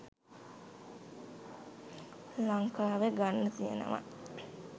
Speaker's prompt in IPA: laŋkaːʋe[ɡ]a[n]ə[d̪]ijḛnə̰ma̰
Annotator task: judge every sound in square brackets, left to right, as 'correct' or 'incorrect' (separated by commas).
correct, incorrect, incorrect